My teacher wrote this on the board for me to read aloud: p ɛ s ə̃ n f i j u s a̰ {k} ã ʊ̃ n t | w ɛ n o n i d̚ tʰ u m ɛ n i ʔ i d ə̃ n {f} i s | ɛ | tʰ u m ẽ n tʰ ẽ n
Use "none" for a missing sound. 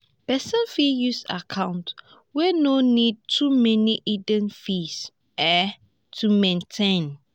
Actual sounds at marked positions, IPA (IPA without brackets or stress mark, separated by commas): kʰ, f